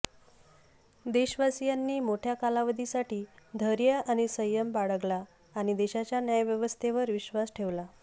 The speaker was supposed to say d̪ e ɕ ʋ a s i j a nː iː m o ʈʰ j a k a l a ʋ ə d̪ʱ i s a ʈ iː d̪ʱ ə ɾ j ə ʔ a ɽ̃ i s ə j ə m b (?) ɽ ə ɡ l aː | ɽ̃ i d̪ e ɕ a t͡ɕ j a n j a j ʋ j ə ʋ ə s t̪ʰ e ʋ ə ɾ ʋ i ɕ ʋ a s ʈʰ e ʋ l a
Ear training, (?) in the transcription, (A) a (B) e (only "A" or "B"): A